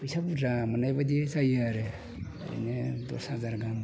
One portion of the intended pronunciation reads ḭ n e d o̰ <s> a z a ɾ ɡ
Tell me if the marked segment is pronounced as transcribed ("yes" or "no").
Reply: yes